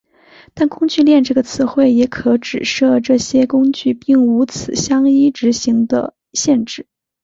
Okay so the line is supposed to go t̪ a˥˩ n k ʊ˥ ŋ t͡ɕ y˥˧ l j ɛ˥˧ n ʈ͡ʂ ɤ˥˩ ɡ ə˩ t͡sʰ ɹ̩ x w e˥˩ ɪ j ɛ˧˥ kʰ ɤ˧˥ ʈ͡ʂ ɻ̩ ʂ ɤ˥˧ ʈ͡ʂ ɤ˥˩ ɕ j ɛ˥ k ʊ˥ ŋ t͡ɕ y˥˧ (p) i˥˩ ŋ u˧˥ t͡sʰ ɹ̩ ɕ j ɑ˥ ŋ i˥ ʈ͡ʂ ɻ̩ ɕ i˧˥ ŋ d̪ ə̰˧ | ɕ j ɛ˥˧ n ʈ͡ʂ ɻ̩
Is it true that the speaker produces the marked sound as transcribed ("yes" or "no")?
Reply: yes